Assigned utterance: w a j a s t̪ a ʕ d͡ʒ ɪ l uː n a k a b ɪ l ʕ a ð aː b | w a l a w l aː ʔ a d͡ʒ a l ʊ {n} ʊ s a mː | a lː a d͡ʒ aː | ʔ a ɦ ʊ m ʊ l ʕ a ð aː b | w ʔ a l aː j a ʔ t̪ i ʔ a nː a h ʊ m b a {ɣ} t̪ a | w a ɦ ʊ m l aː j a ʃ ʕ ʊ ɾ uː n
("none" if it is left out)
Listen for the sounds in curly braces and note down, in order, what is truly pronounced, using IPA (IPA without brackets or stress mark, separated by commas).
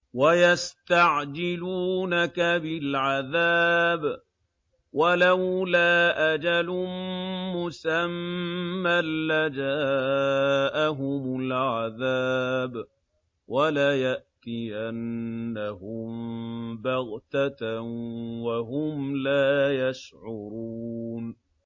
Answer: m, ɣ